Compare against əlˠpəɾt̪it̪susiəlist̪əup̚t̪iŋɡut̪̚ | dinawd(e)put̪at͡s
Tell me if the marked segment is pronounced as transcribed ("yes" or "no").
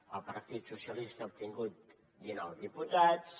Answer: no